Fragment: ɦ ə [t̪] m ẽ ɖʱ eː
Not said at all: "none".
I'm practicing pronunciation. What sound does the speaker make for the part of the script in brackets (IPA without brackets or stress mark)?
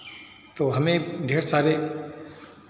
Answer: none